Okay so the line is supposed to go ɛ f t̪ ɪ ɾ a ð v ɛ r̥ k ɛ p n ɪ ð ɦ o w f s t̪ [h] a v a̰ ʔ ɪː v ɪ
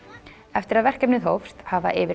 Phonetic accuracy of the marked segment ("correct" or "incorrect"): correct